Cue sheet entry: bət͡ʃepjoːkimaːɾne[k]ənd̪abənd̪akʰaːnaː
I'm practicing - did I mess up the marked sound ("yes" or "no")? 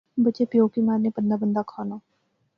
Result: yes